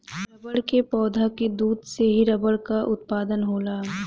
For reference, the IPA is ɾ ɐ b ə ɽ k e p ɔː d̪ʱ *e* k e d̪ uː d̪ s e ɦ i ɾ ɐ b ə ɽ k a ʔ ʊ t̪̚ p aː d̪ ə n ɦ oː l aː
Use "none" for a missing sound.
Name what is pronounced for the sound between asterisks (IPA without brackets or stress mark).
a